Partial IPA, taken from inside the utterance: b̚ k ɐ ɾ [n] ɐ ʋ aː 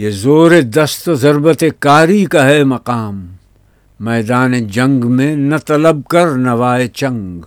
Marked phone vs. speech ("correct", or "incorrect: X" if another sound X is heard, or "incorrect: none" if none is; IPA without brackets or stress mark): correct